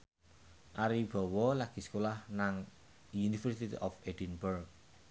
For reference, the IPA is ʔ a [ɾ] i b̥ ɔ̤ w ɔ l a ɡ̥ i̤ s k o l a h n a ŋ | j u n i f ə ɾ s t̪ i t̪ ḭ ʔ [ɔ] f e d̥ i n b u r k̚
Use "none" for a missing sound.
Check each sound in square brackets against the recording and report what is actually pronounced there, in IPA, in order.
ɾ, ɔ

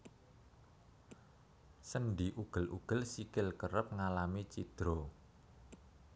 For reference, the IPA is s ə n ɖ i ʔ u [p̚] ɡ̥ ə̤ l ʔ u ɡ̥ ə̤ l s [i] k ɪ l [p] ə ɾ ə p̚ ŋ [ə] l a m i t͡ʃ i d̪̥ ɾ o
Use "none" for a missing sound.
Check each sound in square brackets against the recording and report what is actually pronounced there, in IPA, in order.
none, i, k, a

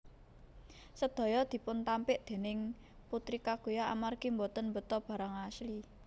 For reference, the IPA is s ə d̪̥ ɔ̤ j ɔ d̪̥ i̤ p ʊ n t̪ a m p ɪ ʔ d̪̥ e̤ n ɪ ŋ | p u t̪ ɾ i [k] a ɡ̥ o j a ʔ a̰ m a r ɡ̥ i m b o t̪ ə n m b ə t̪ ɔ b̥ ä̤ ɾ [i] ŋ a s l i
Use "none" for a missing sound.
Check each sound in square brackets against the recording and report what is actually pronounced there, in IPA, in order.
k, a

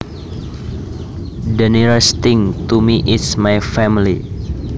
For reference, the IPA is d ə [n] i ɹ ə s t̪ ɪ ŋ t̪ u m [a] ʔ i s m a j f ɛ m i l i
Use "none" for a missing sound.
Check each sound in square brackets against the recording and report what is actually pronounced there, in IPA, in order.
n, i

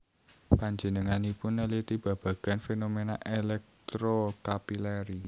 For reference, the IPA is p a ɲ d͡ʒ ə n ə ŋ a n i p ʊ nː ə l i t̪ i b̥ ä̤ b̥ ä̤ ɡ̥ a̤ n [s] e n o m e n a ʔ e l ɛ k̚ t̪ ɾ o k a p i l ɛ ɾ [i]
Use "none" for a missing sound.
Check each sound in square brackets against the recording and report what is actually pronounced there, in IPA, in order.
f, i

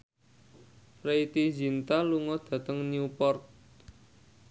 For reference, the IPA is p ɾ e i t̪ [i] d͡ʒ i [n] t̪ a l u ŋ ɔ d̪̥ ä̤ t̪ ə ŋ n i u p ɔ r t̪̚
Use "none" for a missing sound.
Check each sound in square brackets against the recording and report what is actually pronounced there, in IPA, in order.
i, n

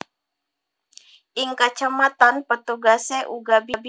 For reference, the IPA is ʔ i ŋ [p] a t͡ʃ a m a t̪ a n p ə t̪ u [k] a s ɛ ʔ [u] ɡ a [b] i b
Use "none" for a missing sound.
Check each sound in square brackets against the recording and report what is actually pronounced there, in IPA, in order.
k, ɡ, u, b

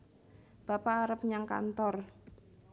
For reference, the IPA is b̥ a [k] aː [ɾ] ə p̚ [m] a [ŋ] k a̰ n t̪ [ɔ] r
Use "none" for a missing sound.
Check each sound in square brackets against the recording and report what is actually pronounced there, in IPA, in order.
p, ɾ, ɲ, ŋ, ɔ

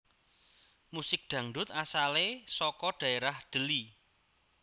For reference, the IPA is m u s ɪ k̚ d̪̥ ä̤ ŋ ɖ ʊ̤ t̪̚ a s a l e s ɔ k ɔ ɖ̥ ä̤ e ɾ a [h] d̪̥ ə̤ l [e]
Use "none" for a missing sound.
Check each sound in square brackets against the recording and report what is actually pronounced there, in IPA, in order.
h, i

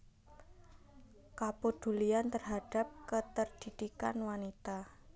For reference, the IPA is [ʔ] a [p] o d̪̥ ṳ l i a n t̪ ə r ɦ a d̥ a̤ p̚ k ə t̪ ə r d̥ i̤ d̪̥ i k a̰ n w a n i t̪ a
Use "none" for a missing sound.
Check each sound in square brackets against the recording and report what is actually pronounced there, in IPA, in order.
k, p

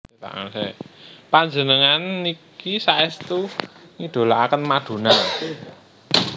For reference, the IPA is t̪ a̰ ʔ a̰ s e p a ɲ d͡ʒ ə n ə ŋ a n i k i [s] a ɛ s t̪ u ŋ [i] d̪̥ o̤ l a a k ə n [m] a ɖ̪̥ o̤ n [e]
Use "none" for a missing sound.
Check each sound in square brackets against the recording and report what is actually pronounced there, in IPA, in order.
s, i, m, a

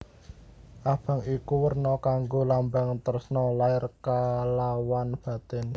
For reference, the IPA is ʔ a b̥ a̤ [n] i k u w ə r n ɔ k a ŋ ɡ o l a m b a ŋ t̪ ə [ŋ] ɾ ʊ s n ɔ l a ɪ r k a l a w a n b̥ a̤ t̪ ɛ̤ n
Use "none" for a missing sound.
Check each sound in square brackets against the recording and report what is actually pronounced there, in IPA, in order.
ŋ, none

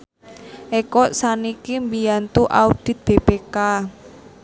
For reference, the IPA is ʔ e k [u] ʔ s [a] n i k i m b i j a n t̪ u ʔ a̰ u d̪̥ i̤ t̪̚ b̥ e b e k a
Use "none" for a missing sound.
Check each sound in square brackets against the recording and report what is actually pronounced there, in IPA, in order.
ɔ, a

